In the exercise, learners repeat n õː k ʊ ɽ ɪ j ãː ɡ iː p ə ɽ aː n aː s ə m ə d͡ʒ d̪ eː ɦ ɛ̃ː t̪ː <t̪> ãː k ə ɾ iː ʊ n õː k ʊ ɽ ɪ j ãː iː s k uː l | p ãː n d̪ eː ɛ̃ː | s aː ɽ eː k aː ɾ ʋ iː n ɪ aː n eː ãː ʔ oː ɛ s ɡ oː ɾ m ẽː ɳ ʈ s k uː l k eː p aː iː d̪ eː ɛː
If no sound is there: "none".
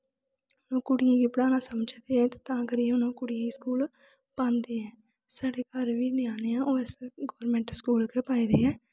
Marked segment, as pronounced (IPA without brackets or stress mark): t̪